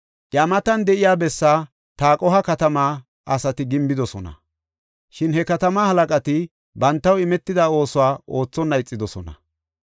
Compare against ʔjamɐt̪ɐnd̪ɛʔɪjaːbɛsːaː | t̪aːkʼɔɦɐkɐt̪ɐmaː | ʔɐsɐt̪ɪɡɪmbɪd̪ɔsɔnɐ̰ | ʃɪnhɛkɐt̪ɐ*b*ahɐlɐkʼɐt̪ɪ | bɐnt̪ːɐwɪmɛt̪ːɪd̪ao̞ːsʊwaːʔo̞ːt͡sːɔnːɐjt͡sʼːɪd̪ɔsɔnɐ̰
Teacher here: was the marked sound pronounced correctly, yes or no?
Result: no